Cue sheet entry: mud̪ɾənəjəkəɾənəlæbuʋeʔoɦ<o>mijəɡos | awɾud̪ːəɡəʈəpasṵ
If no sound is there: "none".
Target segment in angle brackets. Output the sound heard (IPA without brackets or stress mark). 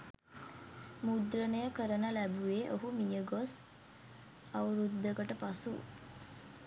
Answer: u